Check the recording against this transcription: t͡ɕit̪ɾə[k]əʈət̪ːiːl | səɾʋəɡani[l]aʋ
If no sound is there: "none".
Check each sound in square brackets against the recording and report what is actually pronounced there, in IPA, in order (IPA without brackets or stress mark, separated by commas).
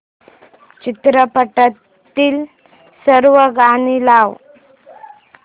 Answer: p, l